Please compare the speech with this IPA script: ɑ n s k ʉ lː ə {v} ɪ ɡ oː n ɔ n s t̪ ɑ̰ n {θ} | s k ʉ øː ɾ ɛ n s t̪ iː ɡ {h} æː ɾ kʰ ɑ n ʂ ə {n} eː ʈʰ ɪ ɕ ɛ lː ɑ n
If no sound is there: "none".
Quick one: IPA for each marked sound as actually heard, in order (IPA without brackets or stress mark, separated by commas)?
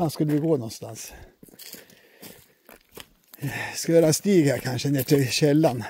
ʋ, s, h, n